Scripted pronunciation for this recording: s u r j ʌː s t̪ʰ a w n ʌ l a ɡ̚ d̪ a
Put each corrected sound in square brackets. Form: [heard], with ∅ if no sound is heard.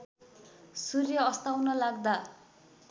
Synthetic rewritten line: s u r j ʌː s [t̪] a w n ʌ l a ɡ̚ d̪ a

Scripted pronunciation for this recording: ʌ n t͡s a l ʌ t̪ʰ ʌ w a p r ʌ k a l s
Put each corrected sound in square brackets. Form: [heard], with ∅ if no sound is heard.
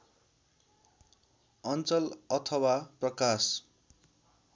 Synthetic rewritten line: ʌ n t͡s [ʌ] l ʌ t̪ʰ ʌ w a p r ʌ k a [∅] s

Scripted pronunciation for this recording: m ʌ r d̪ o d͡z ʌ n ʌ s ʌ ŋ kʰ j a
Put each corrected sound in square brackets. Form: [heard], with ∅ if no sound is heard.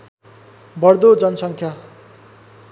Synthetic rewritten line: [b] ʌ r d̪ o d͡z ʌ n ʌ s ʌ ŋ kʰ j a

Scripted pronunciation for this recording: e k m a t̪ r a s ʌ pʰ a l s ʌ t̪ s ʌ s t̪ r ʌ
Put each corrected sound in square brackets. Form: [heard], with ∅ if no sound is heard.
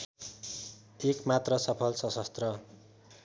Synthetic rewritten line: e k m a t̪ r [ʌ] s ʌ pʰ [ʌ] l s ʌ [∅] s ʌ s t̪ r ʌ

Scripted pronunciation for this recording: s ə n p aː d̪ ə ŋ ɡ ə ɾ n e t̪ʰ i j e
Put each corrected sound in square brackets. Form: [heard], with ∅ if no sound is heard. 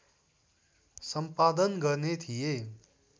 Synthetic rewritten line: s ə [m] p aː d̪ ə [n] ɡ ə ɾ n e t̪ʰ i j e

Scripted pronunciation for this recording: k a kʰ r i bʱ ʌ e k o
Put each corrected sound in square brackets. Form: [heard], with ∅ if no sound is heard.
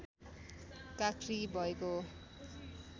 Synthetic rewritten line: k a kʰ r i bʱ ʌ e k o

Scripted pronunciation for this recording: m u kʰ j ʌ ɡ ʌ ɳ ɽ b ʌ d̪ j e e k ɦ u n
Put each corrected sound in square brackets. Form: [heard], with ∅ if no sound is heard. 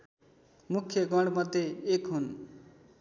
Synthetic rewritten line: m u kʰ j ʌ ɡ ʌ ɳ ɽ [m] ʌ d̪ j e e k ɦ u n

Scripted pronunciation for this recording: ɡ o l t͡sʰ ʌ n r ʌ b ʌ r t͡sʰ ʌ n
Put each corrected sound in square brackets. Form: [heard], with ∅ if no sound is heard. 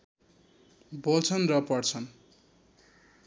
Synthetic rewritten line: [b] o l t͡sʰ ʌ n r ʌ [p] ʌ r t͡sʰ ʌ n

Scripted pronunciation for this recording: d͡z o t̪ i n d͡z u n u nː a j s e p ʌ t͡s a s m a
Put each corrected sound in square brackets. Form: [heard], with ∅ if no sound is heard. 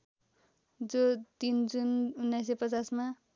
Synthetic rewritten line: d͡z o t̪ i n d͡z u n u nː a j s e p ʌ t͡s a s m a

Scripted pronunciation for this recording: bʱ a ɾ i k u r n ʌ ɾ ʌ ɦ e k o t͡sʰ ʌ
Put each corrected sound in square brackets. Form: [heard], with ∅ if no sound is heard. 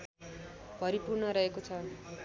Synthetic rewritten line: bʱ [ʌ] ɾ i [p] u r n ʌ ɾ ʌ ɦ e k o t͡sʰ ʌ

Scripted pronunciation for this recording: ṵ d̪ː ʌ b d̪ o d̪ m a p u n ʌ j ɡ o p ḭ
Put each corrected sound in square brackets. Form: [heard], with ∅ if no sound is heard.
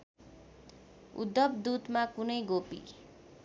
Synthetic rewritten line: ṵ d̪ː ʌ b d̪ [u] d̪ m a [k] u n ʌ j ɡ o p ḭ

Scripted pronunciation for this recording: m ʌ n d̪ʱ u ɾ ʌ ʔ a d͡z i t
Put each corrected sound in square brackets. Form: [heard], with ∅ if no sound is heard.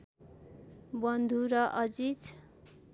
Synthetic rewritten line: [b] ʌ n d̪ʱ u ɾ ʌ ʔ [ʌ] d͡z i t

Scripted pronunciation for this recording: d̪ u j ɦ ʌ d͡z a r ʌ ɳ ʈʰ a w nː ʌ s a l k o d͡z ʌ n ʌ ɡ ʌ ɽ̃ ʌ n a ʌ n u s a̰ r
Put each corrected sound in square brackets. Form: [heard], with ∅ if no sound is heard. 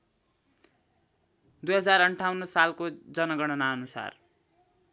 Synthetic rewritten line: d̪ u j ɦ ʌ d͡z a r ʌ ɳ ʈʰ a w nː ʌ s a l k o d͡z ʌ n ʌ ɡ ʌ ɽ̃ ʌ n a ʌ n u s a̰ r

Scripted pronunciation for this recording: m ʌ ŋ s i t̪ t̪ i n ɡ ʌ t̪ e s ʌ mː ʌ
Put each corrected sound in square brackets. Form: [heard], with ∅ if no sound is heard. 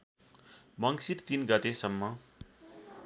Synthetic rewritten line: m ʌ ŋ s i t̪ t̪ i n ɡ ʌ t̪ e s ʌ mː ʌ

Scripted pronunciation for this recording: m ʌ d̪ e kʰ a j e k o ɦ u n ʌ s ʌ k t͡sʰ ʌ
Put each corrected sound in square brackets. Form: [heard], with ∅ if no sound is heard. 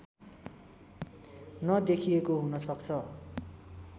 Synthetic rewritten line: [n] ʌ d̪ e kʰ [i] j e k o ɦ u n ʌ s ʌ k t͡sʰ ʌ

